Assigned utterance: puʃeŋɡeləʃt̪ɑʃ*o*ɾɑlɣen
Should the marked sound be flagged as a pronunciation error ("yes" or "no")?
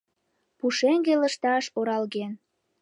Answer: no